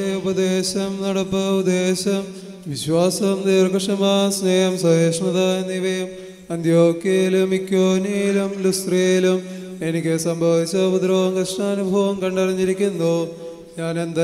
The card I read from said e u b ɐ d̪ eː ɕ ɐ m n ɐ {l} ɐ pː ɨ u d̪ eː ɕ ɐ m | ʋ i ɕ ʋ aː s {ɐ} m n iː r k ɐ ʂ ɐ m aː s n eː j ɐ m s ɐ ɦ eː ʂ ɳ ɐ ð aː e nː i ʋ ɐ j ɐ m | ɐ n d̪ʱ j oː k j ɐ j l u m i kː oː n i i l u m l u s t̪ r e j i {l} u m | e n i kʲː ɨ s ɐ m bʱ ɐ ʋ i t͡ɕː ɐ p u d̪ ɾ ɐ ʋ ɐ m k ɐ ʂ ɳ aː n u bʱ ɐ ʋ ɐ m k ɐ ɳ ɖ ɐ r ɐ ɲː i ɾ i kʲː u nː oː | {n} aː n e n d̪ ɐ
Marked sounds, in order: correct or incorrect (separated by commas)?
incorrect, correct, correct, incorrect